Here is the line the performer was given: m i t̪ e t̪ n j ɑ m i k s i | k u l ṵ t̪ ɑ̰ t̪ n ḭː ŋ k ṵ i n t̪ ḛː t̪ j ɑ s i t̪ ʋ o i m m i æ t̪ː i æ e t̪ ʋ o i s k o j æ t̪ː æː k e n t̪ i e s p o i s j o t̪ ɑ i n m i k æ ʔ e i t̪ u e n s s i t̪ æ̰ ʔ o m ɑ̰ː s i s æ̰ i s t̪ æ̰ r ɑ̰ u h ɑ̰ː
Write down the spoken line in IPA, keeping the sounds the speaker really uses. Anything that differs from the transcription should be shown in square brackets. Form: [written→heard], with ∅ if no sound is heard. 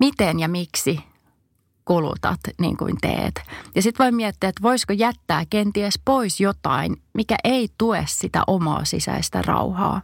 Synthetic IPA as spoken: m i t̪ e [t̪→∅] n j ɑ m i k s i | k u l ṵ t̪ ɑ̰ t̪ n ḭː ŋ k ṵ i n t̪ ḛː t̪ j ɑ s i t̪ ʋ o i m m i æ t̪ː i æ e t̪ ʋ o i s k o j æ t̪ː æː k e n t̪ i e s p o i s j o t̪ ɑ i n m i k æ ʔ e i t̪ u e [n→∅] s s i t̪ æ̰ ʔ o m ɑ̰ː s i s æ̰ i s t̪ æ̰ r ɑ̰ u h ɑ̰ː